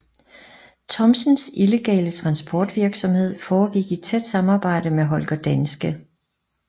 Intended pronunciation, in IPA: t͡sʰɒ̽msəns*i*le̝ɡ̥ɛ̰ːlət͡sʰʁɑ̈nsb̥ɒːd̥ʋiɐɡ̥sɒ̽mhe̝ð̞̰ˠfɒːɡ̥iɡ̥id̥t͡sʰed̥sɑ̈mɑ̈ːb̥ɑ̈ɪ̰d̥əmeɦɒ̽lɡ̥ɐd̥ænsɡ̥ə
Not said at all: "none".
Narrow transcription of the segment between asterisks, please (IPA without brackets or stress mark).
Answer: i